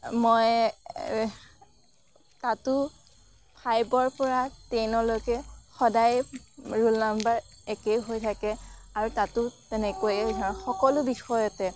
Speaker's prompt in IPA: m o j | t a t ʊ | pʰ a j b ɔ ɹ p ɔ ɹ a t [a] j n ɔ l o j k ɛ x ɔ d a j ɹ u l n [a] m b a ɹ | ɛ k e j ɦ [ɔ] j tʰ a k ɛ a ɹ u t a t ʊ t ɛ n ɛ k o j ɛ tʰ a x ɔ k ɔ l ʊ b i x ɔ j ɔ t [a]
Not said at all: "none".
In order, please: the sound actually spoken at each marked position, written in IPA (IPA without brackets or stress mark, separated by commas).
e, a, o, ɛ